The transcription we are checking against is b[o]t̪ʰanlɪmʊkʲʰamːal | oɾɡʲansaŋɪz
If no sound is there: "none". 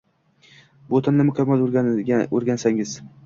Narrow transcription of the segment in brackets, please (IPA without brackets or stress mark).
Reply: o